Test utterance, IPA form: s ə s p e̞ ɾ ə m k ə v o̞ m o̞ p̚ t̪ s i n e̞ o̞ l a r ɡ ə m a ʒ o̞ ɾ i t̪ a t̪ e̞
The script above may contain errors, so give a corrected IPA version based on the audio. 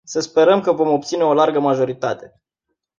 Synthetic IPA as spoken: s ə s p e̞ ɾ ə m k ə v o̞ m o̞ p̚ t̪ s i n e̞ o̞ l a r ɡ ə m a ʒ o̞ ɾ i t̪ a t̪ e̞